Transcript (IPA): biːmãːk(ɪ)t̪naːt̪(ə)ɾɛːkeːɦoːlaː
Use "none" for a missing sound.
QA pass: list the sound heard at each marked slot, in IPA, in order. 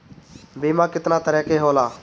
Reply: ɪ, ə

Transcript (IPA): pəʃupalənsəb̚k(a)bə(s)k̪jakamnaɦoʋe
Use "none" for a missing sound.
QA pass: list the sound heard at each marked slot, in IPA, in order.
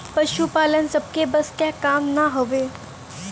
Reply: e, s

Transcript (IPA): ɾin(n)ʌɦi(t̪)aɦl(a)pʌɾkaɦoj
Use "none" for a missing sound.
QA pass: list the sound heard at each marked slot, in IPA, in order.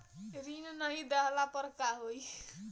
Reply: n, d̪, a

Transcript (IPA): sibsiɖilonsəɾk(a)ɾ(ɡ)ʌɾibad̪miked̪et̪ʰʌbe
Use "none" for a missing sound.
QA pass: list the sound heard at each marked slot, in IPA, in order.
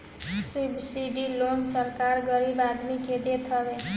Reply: a, ɡ

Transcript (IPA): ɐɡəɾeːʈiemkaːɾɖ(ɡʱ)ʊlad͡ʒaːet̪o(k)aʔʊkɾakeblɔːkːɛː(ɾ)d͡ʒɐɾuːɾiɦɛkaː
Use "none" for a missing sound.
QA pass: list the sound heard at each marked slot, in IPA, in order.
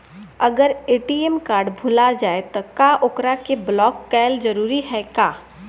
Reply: bʱ, k, l

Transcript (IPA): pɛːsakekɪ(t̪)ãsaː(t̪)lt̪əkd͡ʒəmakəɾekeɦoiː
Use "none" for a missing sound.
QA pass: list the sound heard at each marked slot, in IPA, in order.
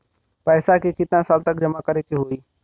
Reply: t̪, none

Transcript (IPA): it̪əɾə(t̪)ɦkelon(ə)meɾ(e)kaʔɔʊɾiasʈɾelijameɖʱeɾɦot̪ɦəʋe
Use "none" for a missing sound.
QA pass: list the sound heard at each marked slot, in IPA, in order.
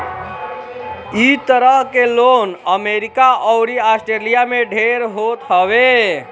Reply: none, ə, i

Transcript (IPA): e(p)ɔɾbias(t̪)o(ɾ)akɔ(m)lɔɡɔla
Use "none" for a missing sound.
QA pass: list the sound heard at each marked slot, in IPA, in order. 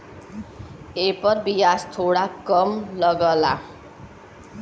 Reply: p, t̪ʰ, ɽ, m

